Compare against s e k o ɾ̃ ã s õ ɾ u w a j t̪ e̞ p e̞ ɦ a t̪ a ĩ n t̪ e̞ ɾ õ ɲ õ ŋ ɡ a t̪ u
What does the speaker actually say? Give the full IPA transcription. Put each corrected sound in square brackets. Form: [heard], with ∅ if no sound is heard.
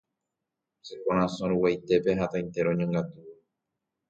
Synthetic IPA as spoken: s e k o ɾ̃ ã s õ ɾ u w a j t̪ e̞ p e̞ ɦ a t̪ a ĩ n t̪ e̞ ɾ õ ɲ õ ŋ ɡ a t̪ u